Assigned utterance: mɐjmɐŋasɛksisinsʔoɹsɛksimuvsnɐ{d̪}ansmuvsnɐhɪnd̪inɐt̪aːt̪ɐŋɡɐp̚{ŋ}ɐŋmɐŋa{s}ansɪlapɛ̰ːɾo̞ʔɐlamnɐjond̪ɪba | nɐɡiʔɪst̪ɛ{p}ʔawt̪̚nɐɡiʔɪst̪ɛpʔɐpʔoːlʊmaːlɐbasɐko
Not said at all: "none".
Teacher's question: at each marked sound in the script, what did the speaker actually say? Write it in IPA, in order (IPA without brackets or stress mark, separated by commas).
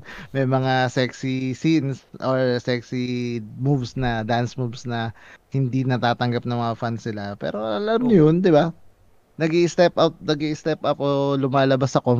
d̪, n, f, p